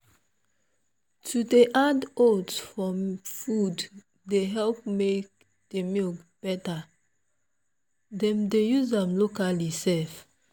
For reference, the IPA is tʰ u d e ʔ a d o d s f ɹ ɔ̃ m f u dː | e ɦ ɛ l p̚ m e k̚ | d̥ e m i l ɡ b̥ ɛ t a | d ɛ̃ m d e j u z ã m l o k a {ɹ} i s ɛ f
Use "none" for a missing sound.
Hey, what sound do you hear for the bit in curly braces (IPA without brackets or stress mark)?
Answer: l